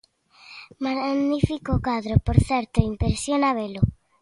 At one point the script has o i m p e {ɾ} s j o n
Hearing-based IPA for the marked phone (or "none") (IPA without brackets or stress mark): ɾ